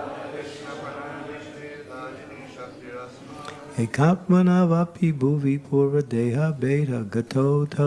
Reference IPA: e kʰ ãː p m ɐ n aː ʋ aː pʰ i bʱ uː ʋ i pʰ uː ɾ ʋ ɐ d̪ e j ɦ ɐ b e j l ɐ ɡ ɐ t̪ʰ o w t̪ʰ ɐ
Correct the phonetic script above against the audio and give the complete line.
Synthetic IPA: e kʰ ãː p m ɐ n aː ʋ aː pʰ i bʱ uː ʋ i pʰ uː ɾ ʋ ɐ d̪ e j ɦ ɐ b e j ɾ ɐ ɡ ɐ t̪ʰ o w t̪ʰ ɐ